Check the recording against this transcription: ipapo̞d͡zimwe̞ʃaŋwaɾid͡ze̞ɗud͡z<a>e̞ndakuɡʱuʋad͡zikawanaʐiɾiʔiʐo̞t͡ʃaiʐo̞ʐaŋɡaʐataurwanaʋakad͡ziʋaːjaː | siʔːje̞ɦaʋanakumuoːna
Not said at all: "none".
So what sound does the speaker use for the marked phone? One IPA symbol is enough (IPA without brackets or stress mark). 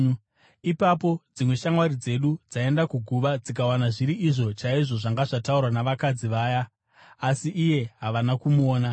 a